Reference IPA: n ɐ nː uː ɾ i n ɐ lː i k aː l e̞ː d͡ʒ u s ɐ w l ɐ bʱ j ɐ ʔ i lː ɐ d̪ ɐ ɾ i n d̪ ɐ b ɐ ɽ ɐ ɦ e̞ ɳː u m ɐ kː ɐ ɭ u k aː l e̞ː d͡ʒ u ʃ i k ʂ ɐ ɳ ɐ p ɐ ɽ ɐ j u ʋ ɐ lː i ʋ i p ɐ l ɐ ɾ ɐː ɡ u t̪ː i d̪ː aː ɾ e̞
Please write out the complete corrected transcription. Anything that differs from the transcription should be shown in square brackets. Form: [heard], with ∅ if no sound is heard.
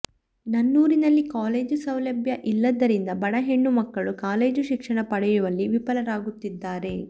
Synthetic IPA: n ɐ nː uː ɾ i n ɐ lː i k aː l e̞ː d͡ʒ u s ɐ w l ɐ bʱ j ɐ ʔ i lː ɐ d̪ ɐ ɾ i n d̪ ɐ b ɐ ɽ ɐ ɦ e̞ ɳː u m ɐ kː ɐ ɭ u k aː l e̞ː d͡ʒ u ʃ i k ʂ ɐ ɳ ɐ p ɐ ɽ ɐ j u ʋ ɐ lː i ʋ i p ɐ l ɐ ɾ [aː] ɡ u t̪ː i d̪ː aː ɾ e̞

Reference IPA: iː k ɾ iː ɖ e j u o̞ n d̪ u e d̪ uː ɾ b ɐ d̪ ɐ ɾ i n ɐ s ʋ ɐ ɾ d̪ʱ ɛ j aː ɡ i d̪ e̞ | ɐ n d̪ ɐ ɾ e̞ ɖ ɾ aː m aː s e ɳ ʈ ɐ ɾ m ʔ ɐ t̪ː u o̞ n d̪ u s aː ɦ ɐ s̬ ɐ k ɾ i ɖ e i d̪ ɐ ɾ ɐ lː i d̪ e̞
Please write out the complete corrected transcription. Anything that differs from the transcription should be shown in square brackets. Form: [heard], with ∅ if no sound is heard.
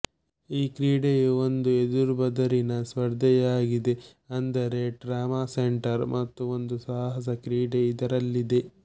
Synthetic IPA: iː k ɾ iː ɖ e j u o̞ n d̪ u e d̪ [u] ɾ b ɐ d̪ ɐ ɾ i n ɐ s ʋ ɐ ɾ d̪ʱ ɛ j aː ɡ i d̪ e̞ | ɐ n d̪ ɐ ɾ e̞ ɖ ɾ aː m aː s e ɳ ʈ ɐ ɾ m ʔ ɐ t̪ː u o̞ n d̪ u s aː ɦ ɐ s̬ ɐ k ɾ [iː] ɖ e i d̪ ɐ ɾ ɐ lː i d̪ e̞

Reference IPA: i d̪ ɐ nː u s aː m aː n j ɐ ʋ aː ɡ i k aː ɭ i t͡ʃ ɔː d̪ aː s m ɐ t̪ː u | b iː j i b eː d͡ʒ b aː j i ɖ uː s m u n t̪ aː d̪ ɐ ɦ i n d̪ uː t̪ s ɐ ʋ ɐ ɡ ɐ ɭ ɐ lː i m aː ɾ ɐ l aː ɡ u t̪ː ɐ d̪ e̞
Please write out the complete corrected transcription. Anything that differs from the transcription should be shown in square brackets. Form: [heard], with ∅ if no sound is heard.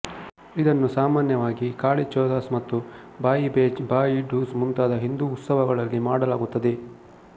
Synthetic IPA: i d̪ ɐ nː u s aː m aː n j ɐ ʋ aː ɡ i k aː ɭ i t͡ʃ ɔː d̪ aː s m ɐ t̪ː u | b [aː] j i b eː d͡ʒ b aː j i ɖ uː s m u n t̪ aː d̪ ɐ ɦ i n d̪ uː t̪ s ɐ ʋ ɐ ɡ ɐ ɭ ɐ lː i m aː [ɽ] ɐ l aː ɡ u t̪ː ɐ d̪ e̞

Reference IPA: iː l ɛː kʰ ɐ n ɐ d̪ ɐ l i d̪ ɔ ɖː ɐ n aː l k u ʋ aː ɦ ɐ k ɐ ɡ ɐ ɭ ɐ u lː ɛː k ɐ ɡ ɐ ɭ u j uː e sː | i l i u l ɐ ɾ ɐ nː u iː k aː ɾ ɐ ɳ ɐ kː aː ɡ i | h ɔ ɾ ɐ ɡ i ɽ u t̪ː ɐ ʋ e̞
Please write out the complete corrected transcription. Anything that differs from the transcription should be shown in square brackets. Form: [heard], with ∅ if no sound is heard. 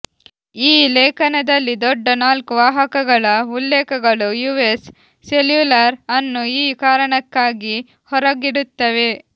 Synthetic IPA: iː l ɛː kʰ ɐ n ɐ d̪ ɐ [lː] i d̪ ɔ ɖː ɐ n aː l k u ʋ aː ɦ ɐ k ɐ ɡ ɐ ɭ ɐ u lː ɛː k ɐ ɡ ɐ ɭ u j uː e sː | [e] l [j] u l ɐ ɾ ɐ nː u iː k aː ɾ ɐ ɳ ɐ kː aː ɡ i | h ɔ ɾ ɐ ɡ i ɽ u t̪ː ɐ ʋ e̞

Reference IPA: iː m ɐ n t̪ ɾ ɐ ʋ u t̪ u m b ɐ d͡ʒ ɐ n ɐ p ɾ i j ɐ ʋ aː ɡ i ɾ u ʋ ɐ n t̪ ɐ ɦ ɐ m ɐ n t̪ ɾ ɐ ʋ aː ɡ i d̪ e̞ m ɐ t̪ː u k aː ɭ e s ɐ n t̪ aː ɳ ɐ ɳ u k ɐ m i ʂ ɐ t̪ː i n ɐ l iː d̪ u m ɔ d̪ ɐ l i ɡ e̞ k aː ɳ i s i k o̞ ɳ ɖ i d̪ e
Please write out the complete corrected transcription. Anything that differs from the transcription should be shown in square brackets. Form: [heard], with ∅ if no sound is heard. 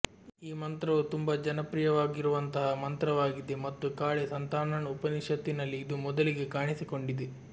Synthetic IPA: iː m ɐ n t̪ ɾ ɐ ʋ u t̪ u m b ɐ d͡ʒ ɐ n ɐ p ɾ i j ɐ ʋ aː ɡ i ɾ u ʋ ɐ n t̪ ɐ ɦ ɐ m ɐ n t̪ ɾ ɐ ʋ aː ɡ i d̪ e̞ m ɐ t̪ː u k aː ɭ e s ɐ n t̪ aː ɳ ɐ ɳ u [p] ɐ [n] i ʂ ɐ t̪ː i n ɐ [lː] iː d̪ u m ɔ d̪ ɐ l i ɡ e̞ k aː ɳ i s i k o̞ ɳ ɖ i d̪ e

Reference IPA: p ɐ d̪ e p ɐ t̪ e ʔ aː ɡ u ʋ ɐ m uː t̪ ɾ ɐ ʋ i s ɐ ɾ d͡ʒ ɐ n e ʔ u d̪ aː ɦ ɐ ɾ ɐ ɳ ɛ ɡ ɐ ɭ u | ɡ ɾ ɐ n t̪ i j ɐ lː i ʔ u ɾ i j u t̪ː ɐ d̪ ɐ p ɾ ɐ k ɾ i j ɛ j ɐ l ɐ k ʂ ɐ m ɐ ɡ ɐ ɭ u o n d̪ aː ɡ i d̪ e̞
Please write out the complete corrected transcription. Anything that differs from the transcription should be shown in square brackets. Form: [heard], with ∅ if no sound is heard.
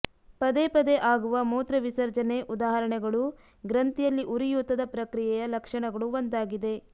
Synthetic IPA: p ɐ d̪ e p ɐ [d̪] e ʔ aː ɡ u ʋ ɐ m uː t̪ ɾ ɐ ʋ i s ɐ ɾ d͡ʒ ɐ n e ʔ u d̪ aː ɦ ɐ ɾ ɐ ɳ ɛ ɡ ɐ ɭ u | ɡ ɾ ɐ n t̪ i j ɐ lː i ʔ u ɾ i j u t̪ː ɐ d̪ ɐ p ɾ ɐ k ɾ i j ɛ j ɐ l ɐ k ʂ ɐ [ɳ] ɐ ɡ ɐ ɭ u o n d̪ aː ɡ i d̪ e̞

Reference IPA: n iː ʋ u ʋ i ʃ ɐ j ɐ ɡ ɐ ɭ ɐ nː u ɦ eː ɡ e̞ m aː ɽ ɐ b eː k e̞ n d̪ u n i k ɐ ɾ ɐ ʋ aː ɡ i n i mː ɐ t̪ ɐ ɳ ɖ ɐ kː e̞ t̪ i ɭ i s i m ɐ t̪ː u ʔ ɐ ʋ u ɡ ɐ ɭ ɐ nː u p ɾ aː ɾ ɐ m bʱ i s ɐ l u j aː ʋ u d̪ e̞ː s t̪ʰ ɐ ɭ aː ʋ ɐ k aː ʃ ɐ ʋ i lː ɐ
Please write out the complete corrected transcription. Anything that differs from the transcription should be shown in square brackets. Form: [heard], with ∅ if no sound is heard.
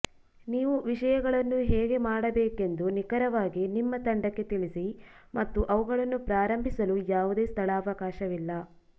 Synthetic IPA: n iː ʋ u ʋ i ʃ ɐ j ɐ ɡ ɐ ɭ ɐ nː u ɦ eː ɡ e̞ m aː ɽ ɐ b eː k e̞ n d̪ u n i k ɐ ɾ ɐ ʋ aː ɡ i n i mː ɐ t̪ ɐ ɳ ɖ ɐ kː e̞ t̪ i ɭ i s i m ɐ t̪ː u ʔ ɐ ʋ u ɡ ɐ ɭ ɐ nː u p ɾ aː ɾ ɐ m bʱ i s ɐ l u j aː ʋ u d̪ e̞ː s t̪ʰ ɐ ɭ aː ʋ ɐ k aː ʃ ɐ ʋ i lː ɐ

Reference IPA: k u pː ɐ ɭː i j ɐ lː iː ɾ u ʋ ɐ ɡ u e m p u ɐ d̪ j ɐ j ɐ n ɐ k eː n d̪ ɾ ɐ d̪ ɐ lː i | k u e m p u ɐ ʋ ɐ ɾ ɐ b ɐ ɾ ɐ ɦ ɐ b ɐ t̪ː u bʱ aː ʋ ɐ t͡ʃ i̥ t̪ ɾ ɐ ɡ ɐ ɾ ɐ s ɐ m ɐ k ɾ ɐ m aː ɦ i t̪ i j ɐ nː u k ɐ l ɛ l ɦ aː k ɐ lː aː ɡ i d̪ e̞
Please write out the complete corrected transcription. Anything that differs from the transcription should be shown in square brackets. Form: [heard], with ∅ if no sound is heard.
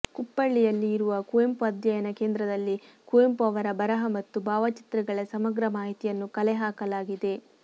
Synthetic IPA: k u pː ɐ ɭː i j ɐ lː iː ɾ u ʋ ɐ [k] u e m p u ɐ d̪ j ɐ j ɐ n ɐ k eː n d̪ ɾ ɐ d̪ ɐ lː i | k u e m p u ɐ ʋ ɐ ɾ ɐ b ɐ ɾ ɐ ɦ ɐ [m] ɐ t̪ː u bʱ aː ʋ ɐ t͡ʃ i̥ t̪ ɾ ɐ ɡ ɐ [ɭ] ɐ s ɐ m ɐ [ɡ] ɾ ɐ m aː ɦ i t̪ i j ɐ nː u k ɐ l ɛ [∅] ɦ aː k ɐ [l] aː ɡ i d̪ e̞

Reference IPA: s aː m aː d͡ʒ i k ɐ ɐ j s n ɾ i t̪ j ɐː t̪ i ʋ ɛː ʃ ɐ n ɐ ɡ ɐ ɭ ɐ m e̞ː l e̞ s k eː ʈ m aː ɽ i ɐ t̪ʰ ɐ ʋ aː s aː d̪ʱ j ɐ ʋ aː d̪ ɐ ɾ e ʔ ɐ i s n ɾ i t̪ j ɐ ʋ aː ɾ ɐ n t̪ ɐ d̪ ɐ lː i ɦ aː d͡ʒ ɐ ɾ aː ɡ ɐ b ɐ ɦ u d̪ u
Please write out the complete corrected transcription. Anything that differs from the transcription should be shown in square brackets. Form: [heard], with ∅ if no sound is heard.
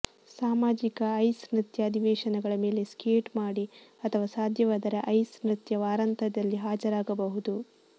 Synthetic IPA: s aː m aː d͡ʒ i k ɐ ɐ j s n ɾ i t̪ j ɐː [d̪] i ʋ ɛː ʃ ɐ n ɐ ɡ ɐ ɭ ɐ m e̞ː l e̞ s k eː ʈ m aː ɽ i ɐ t̪ʰ ɐ ʋ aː s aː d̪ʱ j ɐ ʋ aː d̪ ɐ ɾ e ʔ ɐ [j] s n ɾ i t̪ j ɐ ʋ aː ɾ ɐ n t̪ ɐ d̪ ɐ lː i ɦ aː d͡ʒ ɐ ɾ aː ɡ ɐ b ɐ ɦ u d̪ u

